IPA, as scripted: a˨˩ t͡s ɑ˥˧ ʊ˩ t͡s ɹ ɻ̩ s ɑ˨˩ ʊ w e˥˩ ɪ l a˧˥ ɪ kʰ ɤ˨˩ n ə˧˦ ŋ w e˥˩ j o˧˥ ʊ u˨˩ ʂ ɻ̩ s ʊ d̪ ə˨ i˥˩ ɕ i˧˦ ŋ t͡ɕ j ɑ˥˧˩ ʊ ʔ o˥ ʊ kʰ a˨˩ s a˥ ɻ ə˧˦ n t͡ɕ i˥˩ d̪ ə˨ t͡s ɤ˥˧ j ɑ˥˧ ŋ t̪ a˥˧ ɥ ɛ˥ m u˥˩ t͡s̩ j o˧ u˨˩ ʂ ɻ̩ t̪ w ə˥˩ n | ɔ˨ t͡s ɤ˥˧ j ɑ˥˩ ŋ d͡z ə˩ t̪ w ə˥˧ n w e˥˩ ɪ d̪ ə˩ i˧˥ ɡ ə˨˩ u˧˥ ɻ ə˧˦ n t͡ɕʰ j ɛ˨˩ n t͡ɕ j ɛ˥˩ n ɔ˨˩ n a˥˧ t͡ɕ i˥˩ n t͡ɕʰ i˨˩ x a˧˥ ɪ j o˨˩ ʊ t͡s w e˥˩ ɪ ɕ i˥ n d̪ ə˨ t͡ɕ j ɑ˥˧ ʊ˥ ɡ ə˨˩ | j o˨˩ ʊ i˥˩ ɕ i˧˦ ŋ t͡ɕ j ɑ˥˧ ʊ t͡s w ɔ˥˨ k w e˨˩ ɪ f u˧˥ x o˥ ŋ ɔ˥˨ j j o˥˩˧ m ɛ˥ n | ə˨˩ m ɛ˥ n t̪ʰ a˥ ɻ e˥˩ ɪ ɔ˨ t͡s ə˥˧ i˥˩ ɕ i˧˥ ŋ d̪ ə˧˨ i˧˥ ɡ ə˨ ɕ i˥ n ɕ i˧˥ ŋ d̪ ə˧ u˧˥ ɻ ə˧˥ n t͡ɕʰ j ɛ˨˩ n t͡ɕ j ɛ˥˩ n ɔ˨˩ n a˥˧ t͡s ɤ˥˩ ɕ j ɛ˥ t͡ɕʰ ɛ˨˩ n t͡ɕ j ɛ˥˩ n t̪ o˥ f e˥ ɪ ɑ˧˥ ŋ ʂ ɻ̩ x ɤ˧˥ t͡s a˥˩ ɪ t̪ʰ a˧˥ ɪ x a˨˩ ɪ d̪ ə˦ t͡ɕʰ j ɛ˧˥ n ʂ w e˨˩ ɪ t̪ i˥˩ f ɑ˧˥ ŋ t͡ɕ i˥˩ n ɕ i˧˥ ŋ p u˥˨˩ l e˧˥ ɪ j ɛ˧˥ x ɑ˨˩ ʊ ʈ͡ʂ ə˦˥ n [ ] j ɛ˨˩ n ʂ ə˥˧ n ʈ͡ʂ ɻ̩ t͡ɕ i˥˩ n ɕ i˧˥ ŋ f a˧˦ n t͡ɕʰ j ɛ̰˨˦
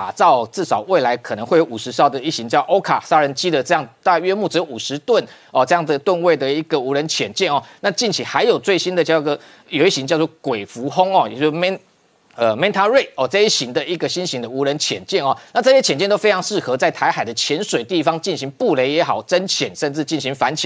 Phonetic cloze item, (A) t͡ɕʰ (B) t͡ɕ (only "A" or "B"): A